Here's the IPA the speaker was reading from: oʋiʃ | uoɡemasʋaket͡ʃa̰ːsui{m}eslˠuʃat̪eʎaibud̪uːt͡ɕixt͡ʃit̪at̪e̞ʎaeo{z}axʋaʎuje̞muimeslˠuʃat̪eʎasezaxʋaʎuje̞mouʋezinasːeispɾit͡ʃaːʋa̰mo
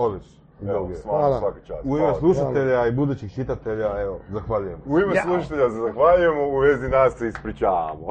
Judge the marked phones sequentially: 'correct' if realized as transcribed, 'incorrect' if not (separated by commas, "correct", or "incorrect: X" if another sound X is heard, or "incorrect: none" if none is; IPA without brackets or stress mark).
correct, correct